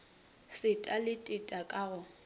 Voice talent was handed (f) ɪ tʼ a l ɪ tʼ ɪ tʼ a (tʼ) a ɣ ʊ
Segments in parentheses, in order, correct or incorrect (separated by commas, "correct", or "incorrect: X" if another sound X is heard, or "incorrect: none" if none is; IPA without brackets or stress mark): incorrect: s, incorrect: kʼ